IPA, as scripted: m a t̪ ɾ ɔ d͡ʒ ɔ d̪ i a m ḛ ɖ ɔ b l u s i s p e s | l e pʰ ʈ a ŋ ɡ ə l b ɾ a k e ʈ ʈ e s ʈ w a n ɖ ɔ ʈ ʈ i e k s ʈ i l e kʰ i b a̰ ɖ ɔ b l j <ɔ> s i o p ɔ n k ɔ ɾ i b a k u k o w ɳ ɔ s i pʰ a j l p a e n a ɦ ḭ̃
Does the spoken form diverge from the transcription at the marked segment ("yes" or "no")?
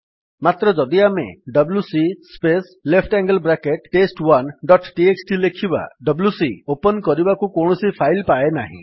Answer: yes